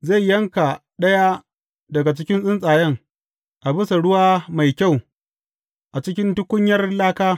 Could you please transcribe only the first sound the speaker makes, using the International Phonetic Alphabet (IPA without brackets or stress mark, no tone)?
z